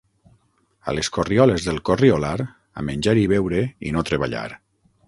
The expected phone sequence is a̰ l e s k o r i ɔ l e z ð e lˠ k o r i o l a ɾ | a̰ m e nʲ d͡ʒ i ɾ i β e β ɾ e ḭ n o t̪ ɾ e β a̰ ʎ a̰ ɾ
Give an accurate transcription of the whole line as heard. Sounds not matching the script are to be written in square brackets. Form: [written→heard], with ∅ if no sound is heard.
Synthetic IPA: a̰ l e s k o r i ɔ l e z ð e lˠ k o r i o l a ɾ | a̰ m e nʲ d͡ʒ [i→a] ɾ i β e [β→w] ɾ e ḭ n o t̪ ɾ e β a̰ ʎ a̰ ɾ